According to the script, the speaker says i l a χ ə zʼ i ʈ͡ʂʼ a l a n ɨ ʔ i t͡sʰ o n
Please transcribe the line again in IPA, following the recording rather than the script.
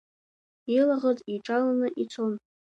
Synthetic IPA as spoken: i l a ʁ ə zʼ i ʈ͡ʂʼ a l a n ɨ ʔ i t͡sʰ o n

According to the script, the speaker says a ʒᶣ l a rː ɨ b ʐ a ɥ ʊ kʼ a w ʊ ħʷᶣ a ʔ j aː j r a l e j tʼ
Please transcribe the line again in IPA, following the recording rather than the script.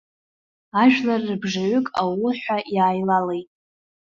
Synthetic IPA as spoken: a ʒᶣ l a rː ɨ b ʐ a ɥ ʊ kʼ a w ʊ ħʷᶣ a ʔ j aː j l a l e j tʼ

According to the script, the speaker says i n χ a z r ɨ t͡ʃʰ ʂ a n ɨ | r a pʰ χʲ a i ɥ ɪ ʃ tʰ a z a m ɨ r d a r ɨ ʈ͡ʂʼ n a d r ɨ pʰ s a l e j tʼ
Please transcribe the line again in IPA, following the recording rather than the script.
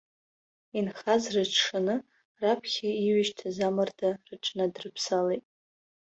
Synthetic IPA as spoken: i n χ a z r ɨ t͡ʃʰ ʂ a n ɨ | r a pʰ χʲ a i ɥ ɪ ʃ tʰ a z a m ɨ r d a r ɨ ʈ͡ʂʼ n a d r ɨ pʰ s a l e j tʼ

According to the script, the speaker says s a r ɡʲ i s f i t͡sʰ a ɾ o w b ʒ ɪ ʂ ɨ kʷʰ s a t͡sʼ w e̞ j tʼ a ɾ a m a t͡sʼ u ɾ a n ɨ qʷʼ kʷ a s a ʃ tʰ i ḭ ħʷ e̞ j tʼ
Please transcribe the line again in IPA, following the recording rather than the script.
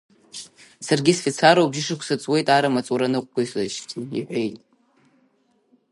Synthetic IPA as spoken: s a r ɡʲ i s f i t͡sʰ a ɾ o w b ʒ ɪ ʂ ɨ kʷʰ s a t͡sʼ w e̞ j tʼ a ɾ a m a t͡sʼ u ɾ a n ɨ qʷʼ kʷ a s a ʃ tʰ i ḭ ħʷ e̞ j tʼ

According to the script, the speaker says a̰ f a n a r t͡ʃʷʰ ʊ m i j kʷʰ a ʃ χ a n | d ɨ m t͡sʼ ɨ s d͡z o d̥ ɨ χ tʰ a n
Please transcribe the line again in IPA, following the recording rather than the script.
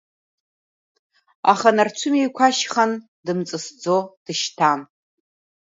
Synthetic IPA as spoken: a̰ χ a n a r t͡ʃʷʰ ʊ m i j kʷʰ a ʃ χ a n | d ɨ m t͡sʼ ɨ s d͡z o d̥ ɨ ʃ tʰ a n

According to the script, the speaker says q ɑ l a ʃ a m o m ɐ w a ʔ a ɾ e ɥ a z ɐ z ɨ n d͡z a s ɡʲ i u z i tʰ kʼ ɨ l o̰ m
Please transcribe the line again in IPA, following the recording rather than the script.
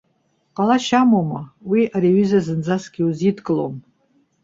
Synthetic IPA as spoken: q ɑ l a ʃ a m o m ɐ w i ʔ a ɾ e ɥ i z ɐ z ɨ n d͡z a s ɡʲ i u z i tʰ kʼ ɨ l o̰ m

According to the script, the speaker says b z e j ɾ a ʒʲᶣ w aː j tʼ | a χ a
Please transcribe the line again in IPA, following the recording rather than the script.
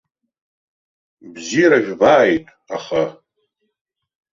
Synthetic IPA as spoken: b z i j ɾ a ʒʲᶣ b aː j tʼ | a χ a

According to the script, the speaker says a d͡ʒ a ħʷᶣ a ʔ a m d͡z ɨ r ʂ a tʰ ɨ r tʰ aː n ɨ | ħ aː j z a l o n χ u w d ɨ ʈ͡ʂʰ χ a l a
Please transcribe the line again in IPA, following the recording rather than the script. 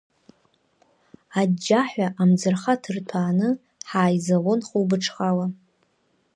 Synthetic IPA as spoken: a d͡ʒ a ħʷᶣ a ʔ a m d͡z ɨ r χ a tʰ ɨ r tʰ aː n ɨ | ħ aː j z a l o n χ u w b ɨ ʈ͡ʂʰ χ a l a

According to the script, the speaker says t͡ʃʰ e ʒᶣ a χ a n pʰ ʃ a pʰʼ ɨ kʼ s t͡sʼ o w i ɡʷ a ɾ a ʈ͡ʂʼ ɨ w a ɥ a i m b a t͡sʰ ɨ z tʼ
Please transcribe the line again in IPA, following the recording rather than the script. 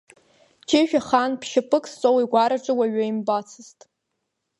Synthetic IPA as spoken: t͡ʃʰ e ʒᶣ a χ a n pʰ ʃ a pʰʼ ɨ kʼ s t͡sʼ o w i ɡʷ a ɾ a ʈ͡ʂʼ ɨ w a ɥ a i m b a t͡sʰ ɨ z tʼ

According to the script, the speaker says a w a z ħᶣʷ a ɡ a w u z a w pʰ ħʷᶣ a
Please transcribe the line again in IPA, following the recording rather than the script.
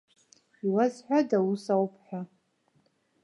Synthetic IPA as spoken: i w a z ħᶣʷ a d a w u s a w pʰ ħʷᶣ a

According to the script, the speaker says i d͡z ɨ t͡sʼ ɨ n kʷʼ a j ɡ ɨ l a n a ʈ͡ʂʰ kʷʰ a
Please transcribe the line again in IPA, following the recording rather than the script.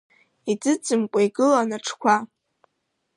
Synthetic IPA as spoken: i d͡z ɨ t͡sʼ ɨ m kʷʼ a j ɡ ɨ l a n a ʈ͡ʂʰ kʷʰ a

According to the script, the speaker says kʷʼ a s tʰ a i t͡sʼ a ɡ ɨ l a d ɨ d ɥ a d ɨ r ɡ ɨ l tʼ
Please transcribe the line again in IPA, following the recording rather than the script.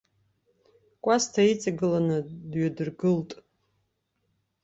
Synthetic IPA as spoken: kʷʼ a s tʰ a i t͡sʼ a ɡ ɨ l a n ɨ d ɥ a d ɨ r ɡ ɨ l tʼ

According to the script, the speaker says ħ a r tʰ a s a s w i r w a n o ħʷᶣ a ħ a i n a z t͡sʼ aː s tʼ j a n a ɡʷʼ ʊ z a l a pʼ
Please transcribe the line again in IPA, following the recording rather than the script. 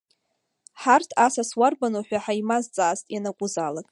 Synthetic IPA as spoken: ħ a r tʰ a s a s w a r b a n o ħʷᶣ a ħ a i m a z t͡sʼ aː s tʼ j a n a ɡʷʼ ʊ z a l a kʼ

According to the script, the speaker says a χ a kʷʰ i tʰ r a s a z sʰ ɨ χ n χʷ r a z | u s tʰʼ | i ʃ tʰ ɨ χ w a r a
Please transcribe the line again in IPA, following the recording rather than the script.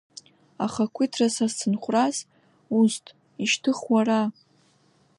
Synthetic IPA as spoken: a χ a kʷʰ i tʰ r a s a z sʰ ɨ n χʷ r a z | u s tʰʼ | i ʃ tʰ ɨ χ w a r a

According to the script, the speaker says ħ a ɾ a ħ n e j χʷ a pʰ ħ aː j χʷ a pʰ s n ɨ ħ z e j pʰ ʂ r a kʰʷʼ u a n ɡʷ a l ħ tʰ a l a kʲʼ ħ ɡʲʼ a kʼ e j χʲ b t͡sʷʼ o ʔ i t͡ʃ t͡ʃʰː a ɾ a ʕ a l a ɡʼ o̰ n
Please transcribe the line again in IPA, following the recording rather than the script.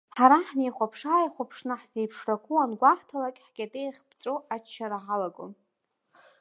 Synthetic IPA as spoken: ħ a ɾ a ħ n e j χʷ a pʰ ʂ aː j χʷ a pʰ ʂ n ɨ ħ z e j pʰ ʂ r a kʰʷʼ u a n ɡʷ a ħ tʰ a l a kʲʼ ħ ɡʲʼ a tʼ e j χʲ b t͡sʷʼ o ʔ a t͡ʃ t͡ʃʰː a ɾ a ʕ a l a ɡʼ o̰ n

